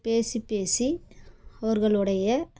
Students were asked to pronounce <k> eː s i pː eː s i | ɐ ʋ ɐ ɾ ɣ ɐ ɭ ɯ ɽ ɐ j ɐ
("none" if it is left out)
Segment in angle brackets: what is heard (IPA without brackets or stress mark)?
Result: p